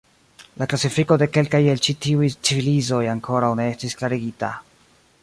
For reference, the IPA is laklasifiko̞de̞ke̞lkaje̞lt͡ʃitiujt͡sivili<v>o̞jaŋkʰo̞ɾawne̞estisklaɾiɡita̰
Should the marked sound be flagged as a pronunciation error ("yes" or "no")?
yes